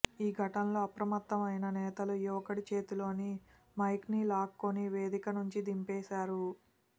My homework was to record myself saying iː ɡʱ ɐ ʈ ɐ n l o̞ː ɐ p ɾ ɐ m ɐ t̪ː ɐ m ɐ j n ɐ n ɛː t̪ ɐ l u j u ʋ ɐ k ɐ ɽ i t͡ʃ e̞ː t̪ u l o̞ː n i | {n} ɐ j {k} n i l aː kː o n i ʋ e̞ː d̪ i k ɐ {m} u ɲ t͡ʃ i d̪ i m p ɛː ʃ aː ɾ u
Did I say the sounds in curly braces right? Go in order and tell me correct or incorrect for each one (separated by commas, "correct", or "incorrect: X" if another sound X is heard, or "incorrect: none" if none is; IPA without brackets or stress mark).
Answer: incorrect: m, correct, incorrect: n